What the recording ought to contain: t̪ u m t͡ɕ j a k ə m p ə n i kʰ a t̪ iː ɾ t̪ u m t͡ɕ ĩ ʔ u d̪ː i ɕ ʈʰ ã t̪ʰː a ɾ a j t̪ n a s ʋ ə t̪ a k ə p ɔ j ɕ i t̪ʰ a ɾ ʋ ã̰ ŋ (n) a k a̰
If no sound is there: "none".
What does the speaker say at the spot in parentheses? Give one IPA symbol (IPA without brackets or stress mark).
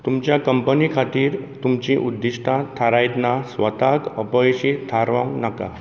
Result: n